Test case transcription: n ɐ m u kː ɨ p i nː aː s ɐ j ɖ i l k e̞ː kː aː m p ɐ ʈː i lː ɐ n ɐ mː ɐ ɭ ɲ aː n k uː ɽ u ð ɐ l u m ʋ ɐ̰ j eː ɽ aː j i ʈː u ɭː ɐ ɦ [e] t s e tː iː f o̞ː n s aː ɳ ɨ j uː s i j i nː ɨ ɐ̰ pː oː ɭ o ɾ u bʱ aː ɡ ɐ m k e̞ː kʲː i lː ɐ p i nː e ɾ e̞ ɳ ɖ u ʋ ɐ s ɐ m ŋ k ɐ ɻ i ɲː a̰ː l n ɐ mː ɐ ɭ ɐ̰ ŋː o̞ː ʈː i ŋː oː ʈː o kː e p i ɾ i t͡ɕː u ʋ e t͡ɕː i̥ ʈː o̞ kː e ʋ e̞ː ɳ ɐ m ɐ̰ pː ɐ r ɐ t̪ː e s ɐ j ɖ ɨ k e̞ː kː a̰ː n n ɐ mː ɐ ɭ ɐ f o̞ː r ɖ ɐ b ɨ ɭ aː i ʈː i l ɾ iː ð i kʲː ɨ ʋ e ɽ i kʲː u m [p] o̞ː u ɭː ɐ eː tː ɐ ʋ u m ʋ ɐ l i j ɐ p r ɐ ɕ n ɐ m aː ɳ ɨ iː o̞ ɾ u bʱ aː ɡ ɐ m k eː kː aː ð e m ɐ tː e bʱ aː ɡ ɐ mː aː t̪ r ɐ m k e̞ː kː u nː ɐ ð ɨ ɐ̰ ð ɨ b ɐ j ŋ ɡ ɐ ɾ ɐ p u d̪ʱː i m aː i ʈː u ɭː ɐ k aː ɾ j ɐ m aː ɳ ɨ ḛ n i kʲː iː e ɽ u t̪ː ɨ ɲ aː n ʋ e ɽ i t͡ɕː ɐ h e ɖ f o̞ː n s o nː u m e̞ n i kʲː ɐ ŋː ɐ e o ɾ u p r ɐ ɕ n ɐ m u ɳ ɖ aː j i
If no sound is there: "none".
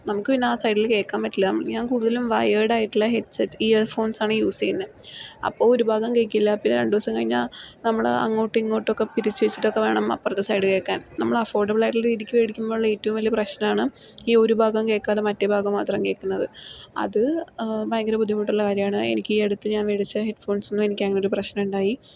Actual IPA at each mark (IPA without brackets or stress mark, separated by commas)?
e, b